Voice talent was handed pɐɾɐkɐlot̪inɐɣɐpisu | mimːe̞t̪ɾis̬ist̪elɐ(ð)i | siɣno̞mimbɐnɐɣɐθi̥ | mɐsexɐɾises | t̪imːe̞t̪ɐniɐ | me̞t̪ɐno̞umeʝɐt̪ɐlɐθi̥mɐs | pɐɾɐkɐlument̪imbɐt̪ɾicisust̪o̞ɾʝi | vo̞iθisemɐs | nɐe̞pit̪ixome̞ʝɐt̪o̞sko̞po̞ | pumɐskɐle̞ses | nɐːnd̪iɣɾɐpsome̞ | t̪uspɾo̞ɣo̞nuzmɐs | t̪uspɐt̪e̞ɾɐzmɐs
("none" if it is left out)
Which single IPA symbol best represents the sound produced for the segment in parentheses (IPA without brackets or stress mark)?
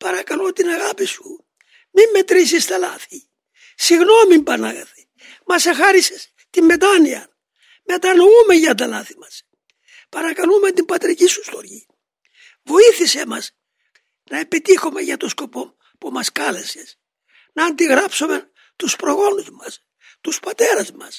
θ